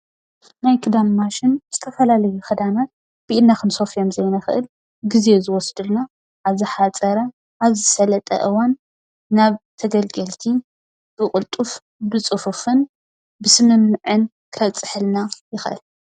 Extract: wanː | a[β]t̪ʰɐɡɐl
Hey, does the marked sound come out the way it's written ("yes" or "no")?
yes